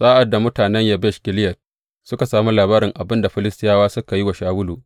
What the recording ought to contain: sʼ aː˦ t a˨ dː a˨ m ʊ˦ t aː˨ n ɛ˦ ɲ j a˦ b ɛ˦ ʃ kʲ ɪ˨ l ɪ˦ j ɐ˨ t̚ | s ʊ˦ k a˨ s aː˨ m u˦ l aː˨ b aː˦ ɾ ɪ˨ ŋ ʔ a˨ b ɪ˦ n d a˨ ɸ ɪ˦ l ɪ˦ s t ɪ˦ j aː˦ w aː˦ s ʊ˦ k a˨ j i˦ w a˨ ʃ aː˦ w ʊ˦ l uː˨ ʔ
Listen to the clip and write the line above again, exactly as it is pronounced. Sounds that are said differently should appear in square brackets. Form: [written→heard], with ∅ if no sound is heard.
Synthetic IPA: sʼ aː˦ [t→ʔ] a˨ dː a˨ m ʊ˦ t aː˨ n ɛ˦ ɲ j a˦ b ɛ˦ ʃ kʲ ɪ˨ l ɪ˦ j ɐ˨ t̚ | s ʊ˦ k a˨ s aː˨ m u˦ l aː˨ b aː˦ ɾ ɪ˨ ŋ ʔ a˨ b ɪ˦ n d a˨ ɸ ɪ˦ l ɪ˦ s t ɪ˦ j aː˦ w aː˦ s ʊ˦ k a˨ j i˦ w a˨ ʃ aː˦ w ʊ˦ l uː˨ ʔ

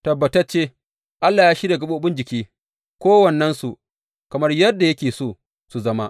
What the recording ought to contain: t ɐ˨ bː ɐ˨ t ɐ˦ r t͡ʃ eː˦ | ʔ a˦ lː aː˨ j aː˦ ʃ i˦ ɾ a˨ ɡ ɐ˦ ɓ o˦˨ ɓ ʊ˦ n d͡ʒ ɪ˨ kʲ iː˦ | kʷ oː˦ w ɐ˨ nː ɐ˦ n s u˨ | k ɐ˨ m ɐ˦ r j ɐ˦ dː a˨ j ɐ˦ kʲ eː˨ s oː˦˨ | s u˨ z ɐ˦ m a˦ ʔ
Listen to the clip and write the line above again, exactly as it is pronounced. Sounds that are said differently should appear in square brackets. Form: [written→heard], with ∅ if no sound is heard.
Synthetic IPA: t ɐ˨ bː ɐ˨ t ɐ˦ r t͡ʃ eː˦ | ʔ a˦ lː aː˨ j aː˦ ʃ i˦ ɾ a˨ ɡ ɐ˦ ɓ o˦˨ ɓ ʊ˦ n d͡ʒ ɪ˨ kʲ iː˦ | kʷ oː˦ w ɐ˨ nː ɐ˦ n s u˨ | k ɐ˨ m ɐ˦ r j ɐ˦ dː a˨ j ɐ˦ kʲ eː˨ s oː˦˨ | s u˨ z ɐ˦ m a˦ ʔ

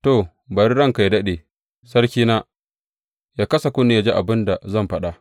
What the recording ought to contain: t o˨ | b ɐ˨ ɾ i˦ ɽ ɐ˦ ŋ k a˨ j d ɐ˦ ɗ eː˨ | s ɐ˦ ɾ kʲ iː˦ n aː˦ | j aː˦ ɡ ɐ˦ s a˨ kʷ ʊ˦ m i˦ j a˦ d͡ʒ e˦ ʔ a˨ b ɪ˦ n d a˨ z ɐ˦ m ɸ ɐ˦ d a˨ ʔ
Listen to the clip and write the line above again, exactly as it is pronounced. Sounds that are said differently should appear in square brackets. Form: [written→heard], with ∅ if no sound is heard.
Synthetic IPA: t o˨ | b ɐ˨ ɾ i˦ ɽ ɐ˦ ŋ k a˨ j d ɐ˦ ɗ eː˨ | s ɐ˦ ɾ kʲ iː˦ n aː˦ | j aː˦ [ɡ→k] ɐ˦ s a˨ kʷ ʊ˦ [m→n] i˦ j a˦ d͡ʒ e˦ ʔ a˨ b ɪ˦ n d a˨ z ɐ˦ m ɸ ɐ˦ [d→ɗ] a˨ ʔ

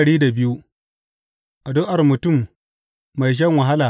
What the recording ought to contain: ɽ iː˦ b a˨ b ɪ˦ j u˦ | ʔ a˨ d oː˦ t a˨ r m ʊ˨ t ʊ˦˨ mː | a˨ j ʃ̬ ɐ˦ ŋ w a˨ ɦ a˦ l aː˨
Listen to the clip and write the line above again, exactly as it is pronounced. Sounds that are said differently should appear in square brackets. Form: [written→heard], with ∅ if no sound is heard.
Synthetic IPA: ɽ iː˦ [b→d] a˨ b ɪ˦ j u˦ | ʔ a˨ d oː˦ [t→ʔ] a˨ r m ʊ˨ t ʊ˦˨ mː | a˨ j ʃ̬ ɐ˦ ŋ w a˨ ɦ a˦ l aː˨

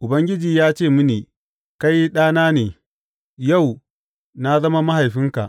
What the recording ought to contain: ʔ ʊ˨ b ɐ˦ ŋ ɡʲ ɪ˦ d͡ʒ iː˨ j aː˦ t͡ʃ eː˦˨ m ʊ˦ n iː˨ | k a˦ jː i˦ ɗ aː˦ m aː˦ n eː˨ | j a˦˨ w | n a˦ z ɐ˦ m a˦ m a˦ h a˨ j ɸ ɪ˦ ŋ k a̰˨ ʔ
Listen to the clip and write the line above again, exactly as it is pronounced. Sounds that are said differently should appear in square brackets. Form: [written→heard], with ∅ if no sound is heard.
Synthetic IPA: ʔ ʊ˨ b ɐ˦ ŋ ɡʲ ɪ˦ d͡ʒ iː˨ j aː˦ t͡ʃ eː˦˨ m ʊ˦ n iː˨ | k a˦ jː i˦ ɗ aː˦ [m→n] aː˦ n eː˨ | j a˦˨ w | n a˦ z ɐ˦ m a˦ m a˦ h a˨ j ɸ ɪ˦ ŋ k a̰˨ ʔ

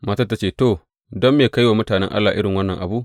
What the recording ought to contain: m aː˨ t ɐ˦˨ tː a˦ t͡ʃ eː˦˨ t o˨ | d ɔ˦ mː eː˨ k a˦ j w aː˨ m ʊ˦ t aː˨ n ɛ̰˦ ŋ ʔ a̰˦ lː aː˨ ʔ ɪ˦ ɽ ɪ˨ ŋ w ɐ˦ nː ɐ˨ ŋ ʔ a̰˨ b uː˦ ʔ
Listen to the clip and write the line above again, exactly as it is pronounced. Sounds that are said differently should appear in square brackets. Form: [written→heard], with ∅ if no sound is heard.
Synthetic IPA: m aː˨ t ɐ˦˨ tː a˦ t͡ʃ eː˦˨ t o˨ | d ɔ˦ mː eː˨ k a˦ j w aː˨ m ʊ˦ t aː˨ n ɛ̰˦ ŋ ʔ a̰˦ lː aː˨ ʔ ɪ˦ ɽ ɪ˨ ŋ w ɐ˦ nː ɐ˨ ŋ ʔ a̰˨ b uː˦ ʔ

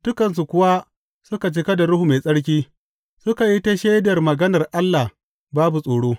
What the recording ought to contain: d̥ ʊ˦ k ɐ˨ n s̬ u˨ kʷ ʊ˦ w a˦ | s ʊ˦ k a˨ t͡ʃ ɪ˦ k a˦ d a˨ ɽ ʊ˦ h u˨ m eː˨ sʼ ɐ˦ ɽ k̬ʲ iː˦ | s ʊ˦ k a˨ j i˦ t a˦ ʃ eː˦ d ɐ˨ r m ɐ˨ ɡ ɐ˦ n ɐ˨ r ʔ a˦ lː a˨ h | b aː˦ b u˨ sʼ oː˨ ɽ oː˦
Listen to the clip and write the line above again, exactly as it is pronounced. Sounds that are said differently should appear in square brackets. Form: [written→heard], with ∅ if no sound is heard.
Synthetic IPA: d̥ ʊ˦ k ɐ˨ n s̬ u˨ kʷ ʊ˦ w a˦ | s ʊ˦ k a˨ t͡ʃ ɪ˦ k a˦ d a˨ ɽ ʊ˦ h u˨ m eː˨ sʼ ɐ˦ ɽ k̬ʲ iː˦ | s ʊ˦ k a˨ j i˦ t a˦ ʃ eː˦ d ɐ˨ r m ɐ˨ ɡ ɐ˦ n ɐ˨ r ʔ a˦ lː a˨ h | b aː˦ b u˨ sʼ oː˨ ɽ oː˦

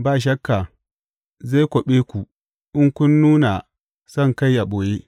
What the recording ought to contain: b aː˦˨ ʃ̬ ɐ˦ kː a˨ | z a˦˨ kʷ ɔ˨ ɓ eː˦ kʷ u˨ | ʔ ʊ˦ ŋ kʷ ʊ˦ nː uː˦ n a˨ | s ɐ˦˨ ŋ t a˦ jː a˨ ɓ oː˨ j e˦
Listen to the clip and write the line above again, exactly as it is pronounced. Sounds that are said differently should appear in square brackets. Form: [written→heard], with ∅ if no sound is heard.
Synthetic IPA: b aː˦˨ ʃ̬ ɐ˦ kː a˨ | z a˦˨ kʷ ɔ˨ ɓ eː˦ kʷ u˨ | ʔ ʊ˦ ŋ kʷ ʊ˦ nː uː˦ n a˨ | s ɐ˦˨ ŋ [t→k] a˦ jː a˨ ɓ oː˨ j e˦

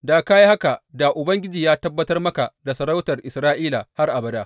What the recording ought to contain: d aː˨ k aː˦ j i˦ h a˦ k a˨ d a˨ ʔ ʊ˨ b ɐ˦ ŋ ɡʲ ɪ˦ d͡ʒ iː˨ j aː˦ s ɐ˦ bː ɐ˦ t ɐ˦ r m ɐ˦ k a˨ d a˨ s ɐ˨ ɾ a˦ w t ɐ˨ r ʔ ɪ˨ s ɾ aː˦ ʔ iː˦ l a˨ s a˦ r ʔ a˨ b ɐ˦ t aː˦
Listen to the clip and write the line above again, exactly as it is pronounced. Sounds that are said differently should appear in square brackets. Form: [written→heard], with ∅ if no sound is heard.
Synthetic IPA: d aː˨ k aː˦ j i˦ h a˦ k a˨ d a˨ ʔ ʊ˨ b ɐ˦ ŋ ɡʲ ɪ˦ d͡ʒ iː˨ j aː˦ [s→t] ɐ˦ bː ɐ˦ t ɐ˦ r m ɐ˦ k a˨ d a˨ s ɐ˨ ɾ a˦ w t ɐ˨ r ʔ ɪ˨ s ɾ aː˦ ʔ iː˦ l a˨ [s→h] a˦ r ʔ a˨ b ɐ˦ [t→d] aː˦

